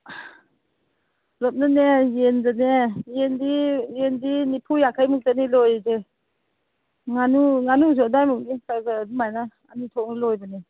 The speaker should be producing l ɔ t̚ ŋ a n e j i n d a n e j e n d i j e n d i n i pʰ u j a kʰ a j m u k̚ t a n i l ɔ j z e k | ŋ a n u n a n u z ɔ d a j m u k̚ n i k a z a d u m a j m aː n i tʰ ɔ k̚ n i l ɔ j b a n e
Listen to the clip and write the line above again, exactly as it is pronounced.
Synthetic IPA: l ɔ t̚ n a n e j e n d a n e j e n d i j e n d i n i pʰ u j a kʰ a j m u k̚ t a n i l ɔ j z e | ŋ a n u ŋ a n u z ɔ d a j m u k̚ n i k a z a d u m a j n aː n i tʰ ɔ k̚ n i l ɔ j b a n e